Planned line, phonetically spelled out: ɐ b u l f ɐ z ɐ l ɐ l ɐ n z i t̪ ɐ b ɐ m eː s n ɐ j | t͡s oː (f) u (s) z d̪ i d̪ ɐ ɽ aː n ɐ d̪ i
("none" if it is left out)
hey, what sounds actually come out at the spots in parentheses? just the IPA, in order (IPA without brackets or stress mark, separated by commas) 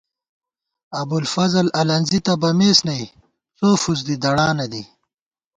f, none